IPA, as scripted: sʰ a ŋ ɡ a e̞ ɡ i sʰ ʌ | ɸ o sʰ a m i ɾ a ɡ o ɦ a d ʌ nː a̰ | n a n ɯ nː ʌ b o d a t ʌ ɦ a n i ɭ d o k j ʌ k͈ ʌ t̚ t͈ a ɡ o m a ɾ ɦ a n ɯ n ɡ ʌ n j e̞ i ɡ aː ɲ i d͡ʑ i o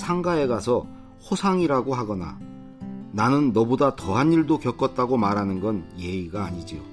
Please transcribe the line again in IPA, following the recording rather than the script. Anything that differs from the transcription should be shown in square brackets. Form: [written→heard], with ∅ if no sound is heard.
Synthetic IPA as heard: sʰ a ŋ ɡ a e̞ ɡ [i→a] sʰ ʌ | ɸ o sʰ a [m→ŋ] i ɾ a ɡ o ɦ a [d→ɡ] ʌ [nː→n] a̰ | n a n ɯ nː ʌ b o d a t ʌ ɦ a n i ɭ d o k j ʌ k͈ ʌ t̚ t͈ a ɡ o m a ɾ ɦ a n ɯ n ɡ ʌ n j e̞ i ɡ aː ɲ i d͡ʑ i o